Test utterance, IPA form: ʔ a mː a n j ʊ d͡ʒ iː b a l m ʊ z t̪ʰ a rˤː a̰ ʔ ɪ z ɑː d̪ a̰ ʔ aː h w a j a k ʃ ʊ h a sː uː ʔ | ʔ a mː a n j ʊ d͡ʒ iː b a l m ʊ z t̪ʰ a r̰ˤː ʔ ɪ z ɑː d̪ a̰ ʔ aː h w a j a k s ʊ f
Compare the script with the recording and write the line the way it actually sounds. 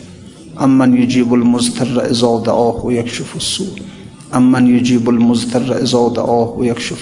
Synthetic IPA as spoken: ʔ a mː a n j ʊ d͡ʒ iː b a l m ʊ z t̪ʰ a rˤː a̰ ʔ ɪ z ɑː d̪ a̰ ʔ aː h w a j a k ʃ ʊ f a sː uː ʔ | ʔ a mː a n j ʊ d͡ʒ iː b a l m ʊ z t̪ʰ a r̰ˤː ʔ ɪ z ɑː d̪ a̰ ʔ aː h w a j a k ʃ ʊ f